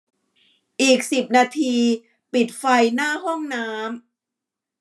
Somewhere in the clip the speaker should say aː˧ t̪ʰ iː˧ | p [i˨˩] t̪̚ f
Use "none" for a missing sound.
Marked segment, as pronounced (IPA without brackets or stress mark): i˨˩